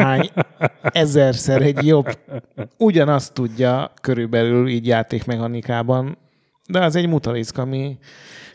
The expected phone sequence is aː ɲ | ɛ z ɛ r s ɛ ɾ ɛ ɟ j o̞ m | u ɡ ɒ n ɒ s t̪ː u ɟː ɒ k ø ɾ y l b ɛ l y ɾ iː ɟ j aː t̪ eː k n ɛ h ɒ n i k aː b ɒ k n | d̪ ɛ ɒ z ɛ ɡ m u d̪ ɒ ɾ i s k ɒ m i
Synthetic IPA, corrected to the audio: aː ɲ | ɛ z ɛ r s ɛ ɾ ɛ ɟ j o̞ b | u ɟ ɒ n ɒ s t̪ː u ɟː ɒ k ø ɾ y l b ɛ l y l iː ɟ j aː t̪ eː k m ɛ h ɒ n i k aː b ɒ n | d̪ ɛ ɒ z ɛ ɟ m u t̪ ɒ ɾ i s k ɒ m i